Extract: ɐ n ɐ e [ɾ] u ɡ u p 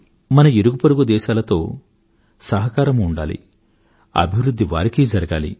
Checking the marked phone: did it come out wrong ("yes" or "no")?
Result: no